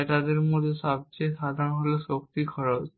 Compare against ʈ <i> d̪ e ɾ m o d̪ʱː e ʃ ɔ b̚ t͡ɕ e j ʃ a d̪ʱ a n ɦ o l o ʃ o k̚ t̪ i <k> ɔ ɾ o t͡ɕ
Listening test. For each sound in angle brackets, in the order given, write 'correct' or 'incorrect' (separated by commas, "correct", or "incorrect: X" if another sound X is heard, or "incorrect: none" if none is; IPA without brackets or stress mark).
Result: incorrect: a, incorrect: kʰ